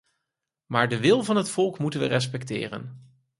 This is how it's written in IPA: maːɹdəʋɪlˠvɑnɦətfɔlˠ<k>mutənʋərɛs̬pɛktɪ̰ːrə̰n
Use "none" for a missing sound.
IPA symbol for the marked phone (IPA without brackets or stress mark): k